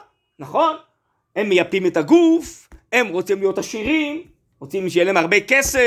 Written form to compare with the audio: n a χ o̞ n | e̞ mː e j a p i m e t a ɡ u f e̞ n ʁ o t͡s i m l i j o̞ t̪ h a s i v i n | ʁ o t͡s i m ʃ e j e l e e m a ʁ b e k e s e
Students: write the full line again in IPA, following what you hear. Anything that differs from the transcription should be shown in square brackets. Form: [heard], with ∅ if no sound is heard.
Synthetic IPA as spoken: n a χ o̞ n | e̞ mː e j a p i m e t a ɡ u f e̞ [m] ʁ o t͡s i m l i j o̞ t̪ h a [ʃ] i [ʁ] i [m] | ʁ o t͡s i m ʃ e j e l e e m a ʁ b e k e s e